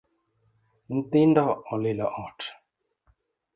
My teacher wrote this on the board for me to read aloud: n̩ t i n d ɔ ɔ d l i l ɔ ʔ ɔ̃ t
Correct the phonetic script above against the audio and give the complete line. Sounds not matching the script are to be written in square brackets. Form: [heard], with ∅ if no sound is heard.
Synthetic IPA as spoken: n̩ t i n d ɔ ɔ [∅] l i l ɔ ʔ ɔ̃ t